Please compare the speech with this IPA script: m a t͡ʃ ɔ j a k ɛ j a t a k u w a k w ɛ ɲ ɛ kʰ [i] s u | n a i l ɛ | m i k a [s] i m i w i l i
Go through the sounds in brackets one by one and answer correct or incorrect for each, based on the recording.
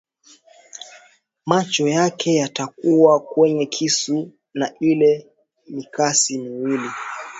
correct, correct

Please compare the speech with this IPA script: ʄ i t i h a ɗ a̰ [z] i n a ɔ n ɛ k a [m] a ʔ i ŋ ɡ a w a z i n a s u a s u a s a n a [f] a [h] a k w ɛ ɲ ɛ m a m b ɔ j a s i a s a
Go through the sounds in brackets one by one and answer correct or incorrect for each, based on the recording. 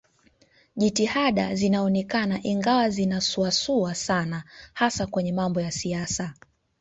correct, incorrect, incorrect, incorrect

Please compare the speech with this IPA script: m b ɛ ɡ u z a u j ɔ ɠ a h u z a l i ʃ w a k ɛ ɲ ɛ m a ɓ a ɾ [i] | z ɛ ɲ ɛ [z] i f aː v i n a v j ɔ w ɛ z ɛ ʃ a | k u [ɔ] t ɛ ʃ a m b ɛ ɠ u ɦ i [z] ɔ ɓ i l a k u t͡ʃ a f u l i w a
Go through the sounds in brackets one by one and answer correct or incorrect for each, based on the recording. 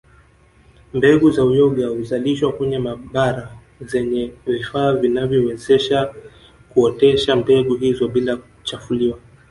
incorrect, incorrect, correct, correct

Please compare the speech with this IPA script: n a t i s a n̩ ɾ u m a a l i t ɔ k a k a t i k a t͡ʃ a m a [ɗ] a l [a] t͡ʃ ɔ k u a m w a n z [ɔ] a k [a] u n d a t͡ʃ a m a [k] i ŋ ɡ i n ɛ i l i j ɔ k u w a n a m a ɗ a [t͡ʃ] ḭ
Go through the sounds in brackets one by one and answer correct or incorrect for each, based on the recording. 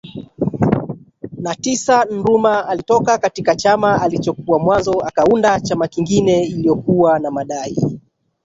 incorrect, incorrect, correct, correct, correct, incorrect

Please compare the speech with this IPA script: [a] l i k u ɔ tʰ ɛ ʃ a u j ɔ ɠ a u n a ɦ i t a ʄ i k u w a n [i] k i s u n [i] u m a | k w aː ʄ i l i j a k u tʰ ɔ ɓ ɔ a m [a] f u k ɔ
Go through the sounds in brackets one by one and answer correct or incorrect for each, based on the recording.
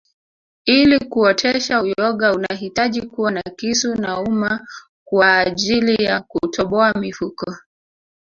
incorrect, incorrect, incorrect, incorrect

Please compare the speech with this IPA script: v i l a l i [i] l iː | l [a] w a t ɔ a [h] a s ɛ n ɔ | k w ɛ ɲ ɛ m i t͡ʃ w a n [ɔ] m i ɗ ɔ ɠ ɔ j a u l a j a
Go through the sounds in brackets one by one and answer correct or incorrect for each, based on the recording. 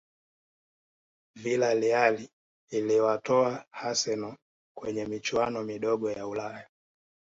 incorrect, incorrect, correct, correct

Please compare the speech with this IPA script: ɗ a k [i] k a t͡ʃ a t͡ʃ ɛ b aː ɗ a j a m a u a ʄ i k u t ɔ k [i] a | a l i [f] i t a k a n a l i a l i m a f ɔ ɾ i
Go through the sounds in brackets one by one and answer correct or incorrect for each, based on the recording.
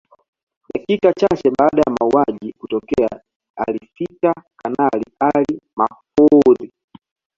correct, incorrect, correct

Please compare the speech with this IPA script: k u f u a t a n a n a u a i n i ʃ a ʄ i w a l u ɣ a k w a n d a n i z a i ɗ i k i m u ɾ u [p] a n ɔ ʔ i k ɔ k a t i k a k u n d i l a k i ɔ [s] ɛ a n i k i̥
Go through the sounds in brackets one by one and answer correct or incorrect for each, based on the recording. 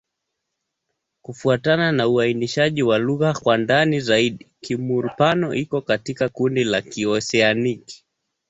correct, correct

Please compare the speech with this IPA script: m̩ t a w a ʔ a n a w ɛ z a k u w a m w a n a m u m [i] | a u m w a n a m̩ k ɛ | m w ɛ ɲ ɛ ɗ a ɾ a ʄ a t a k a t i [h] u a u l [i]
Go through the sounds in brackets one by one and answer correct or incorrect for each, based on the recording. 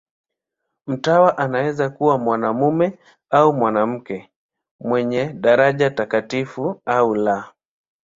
incorrect, incorrect, incorrect

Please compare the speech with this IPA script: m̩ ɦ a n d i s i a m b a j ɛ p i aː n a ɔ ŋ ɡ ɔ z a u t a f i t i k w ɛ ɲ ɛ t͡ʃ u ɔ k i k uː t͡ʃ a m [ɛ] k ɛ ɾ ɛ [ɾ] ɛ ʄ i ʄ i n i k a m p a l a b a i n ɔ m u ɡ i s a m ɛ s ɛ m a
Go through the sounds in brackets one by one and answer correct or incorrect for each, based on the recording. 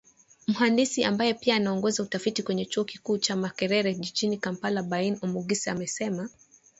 incorrect, correct

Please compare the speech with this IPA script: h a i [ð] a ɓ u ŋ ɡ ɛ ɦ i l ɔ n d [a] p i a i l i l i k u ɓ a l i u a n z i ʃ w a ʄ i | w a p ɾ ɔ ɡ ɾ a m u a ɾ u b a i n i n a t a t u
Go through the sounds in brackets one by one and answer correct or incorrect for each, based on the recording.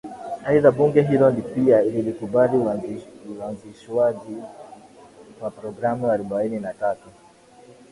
correct, incorrect

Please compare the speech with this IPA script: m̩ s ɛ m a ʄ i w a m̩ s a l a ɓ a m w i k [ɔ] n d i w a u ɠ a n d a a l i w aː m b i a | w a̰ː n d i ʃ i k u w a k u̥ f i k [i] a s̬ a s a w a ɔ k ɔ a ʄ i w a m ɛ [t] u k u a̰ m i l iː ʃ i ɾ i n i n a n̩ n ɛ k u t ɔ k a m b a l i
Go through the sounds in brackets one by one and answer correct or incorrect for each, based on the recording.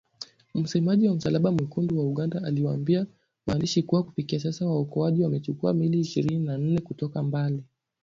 incorrect, correct, incorrect

